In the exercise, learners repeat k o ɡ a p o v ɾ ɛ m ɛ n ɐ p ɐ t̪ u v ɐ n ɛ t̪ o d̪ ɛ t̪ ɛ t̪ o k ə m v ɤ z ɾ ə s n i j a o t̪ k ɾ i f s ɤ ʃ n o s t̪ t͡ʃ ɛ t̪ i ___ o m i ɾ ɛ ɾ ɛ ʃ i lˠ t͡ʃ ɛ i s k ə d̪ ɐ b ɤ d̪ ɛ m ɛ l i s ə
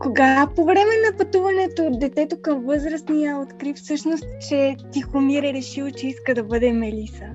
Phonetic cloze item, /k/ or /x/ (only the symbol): x